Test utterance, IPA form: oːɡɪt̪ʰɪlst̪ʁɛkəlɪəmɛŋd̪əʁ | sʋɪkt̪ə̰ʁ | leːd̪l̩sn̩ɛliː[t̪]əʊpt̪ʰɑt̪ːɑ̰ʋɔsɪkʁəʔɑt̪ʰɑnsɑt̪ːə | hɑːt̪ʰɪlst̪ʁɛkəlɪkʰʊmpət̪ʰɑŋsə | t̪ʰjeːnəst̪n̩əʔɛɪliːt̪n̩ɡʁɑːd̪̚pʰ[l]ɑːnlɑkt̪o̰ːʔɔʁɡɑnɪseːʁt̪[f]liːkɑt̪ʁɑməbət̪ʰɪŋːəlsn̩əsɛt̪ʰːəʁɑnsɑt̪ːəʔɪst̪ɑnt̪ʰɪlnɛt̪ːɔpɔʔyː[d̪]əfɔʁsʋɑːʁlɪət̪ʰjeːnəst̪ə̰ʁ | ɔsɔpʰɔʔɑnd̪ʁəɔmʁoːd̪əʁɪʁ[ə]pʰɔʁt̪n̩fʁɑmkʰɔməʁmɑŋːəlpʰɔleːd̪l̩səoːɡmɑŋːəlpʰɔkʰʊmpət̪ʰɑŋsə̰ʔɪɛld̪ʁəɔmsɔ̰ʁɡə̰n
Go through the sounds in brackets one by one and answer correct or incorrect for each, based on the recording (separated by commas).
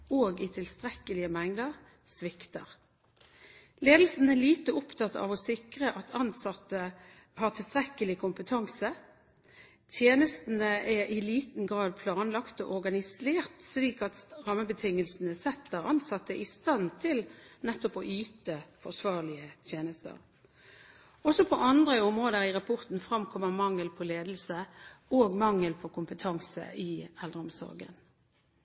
correct, correct, incorrect, incorrect, incorrect